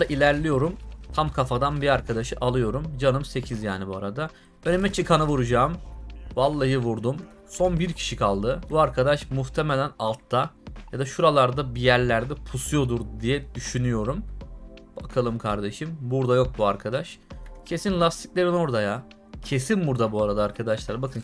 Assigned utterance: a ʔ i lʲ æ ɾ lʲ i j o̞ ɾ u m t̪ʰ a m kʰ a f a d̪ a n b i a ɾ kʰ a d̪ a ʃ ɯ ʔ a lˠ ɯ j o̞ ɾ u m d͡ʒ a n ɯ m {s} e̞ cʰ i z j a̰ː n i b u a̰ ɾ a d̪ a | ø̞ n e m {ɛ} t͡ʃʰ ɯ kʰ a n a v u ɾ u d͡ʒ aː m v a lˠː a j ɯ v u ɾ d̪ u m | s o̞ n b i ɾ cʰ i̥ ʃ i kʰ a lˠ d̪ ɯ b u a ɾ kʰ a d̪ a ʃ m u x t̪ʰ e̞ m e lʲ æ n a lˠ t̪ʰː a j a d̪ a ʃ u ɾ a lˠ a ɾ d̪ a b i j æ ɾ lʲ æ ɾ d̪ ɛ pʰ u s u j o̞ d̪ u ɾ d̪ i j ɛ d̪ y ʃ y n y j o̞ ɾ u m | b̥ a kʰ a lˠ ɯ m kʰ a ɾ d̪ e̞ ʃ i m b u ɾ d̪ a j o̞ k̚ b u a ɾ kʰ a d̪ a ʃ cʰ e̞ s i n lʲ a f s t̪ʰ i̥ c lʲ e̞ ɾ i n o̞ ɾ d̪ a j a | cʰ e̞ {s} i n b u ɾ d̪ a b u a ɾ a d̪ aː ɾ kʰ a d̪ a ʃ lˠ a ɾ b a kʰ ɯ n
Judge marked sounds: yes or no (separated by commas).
yes, yes, yes